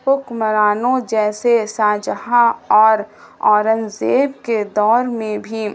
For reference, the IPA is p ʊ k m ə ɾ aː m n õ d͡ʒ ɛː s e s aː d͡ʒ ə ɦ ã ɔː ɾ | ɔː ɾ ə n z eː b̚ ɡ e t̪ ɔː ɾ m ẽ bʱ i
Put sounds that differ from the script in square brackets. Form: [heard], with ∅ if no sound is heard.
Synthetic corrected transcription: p ʊ k m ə ɾ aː [∅] n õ d͡ʒ ɛː s e s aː d͡ʒ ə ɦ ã ɔː ɾ | ɔː ɾ ə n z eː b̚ [k] e [d̪] ɔː ɾ m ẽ bʱ i